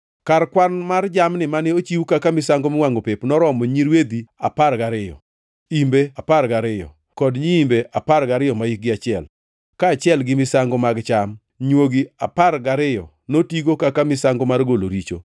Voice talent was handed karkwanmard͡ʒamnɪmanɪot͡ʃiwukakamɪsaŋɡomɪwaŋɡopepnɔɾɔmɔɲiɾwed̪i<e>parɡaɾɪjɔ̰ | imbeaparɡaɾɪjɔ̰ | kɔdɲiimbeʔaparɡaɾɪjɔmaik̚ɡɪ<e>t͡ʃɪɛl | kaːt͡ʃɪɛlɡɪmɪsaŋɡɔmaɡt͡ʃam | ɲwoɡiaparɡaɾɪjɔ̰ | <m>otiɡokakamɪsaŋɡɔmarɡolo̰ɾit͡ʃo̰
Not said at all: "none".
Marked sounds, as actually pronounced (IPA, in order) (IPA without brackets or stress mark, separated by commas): a, a, n